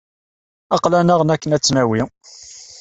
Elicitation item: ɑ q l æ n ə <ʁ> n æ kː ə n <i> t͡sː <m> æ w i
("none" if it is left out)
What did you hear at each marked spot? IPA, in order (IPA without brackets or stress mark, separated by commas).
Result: ʁ, æ, n